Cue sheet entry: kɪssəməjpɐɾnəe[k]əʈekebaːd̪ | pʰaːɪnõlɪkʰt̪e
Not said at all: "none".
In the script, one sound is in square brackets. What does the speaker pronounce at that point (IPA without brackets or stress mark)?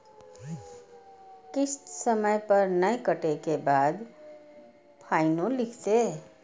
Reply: k